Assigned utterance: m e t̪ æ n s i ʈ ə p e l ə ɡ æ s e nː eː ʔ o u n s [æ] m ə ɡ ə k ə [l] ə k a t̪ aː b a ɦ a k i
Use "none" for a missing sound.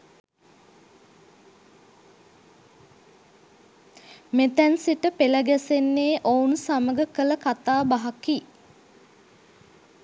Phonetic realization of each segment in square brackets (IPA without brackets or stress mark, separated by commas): a, l